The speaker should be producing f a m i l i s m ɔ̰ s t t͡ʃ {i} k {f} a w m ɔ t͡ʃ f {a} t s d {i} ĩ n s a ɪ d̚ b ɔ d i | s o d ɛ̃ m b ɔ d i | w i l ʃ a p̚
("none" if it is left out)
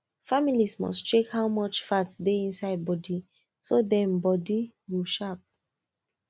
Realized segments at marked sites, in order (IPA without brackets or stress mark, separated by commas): e, h, a, e